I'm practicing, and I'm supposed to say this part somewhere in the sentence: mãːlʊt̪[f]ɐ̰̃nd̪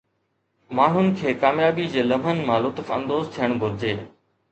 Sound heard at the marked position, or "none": f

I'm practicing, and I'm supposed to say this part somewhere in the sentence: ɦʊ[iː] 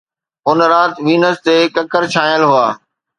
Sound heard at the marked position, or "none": aː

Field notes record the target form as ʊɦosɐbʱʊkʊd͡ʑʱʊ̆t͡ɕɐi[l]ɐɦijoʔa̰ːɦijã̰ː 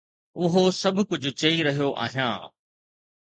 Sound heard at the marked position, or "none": ɾ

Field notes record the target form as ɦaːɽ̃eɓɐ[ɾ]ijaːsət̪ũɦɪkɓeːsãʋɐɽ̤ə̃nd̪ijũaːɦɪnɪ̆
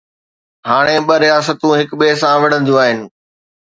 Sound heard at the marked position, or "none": ɾ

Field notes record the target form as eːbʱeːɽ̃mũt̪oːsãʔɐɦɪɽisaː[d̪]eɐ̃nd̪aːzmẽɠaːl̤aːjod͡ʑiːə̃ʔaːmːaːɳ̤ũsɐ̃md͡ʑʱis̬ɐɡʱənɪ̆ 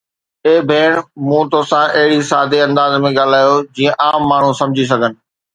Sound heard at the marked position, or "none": d̪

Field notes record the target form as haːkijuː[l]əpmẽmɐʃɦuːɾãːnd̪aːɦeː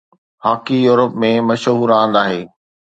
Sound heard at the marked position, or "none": ɾ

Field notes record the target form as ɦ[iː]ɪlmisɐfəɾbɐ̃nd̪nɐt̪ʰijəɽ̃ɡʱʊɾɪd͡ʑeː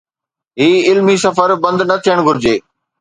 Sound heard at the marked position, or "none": iː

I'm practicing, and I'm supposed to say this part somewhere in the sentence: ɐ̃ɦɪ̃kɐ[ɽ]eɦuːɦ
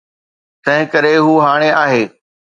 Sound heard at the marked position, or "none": ɾ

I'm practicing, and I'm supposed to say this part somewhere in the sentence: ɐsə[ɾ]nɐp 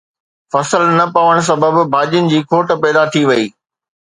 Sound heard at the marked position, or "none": l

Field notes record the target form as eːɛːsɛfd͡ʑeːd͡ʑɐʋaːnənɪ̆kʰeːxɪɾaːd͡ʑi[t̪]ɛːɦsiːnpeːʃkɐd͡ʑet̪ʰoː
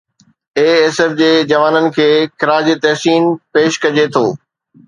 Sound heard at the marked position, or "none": t̪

